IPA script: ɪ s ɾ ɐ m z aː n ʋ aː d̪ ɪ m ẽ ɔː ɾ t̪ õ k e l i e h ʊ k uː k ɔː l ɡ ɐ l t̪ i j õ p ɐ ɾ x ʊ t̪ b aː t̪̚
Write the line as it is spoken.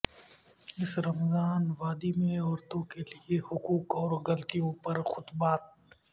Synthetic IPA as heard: ɪ s ɾ ɐ m z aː n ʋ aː d̪ i m ẽ ɔː ɾ t̪ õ k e l i e h ʊ k uː k ɔː ɾ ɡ ɐ l t̪ i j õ p ɐ ɾ x ʊ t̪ b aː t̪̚

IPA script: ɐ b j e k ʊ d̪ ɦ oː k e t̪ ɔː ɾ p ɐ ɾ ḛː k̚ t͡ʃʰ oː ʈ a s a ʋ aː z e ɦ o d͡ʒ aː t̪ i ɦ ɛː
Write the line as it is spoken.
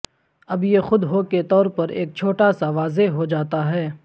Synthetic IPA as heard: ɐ b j e x ʊ d̪ ɦ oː k e t̪ ɔː ɾ p ɐ ɾ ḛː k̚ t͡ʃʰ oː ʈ a s a ʋ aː z e ɦ o d͡ʒ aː t̪ a ɦ ɛː

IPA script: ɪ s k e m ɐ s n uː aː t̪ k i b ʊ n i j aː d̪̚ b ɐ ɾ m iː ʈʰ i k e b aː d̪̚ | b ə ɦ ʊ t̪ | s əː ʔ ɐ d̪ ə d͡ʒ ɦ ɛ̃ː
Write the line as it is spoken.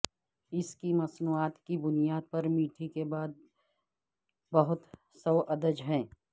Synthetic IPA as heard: ɪ s k i m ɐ s n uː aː t̪ k i b ʊ n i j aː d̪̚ p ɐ ɾ m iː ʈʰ i k e b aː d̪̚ | b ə ɦ ʊ t̪ | s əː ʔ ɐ d̪ ə d͡ʒ ɦ ɛ̃ː

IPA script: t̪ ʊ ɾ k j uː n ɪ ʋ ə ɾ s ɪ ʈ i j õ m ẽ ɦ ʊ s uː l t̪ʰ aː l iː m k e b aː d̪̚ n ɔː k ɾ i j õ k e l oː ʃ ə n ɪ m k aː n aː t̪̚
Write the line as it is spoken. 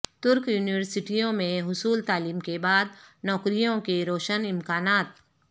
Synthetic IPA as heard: t̪ ʊ ɾ k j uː n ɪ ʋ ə ɾ s ɪ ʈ i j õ m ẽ ɦ ʊ s uː l t̪ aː l iː m k e b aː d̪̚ n ɔː k ɾ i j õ k e ɾ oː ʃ ə n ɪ m k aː n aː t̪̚

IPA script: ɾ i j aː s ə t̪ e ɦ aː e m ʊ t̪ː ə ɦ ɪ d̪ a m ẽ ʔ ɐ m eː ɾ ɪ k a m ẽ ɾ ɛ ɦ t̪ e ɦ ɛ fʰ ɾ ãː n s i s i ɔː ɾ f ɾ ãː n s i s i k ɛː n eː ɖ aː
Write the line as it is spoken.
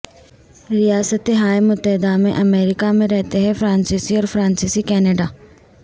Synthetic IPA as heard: ɾ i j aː s ə t̪ e ɦ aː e m ʊ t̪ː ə ɦ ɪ d̪ a m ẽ ʔ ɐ m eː ɾ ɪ k a m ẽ ɾ ɛ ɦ t̪ e ɦ ɛ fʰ ɾ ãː n s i s i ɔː ɾ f ɾ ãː n s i s i k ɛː n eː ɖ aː

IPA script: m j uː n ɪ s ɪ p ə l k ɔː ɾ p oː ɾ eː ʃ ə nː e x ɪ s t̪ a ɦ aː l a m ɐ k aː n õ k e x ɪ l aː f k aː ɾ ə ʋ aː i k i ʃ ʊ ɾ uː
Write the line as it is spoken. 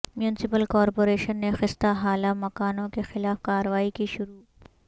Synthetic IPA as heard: m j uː n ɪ s ɪ p ə l k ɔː ɾ p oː ɾ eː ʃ ə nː e x ɪ s t̪ a ɦ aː l a m ɐ k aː n õ k e x ɪ l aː f k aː ɾ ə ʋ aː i k i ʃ ʊ ɾ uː

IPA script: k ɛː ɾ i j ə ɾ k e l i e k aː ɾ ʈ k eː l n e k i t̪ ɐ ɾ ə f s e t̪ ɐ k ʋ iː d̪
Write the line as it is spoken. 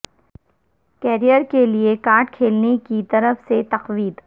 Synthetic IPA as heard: k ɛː ɾ i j ə ɾ k e l i e k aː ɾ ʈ kʰ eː l n e k i t̪ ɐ ɾ ə f s e t̪ ɐ q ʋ iː d̪

